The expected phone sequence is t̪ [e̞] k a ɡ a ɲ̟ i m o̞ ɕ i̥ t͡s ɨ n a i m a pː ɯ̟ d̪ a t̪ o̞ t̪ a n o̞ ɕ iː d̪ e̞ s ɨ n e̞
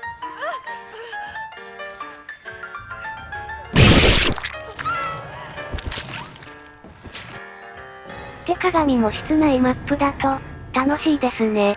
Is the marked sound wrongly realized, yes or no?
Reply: no